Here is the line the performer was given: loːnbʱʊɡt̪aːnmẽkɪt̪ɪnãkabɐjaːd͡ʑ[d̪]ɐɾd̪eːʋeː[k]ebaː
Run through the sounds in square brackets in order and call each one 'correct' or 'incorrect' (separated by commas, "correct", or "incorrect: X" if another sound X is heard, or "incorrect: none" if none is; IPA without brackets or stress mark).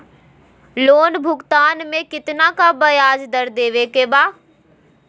correct, correct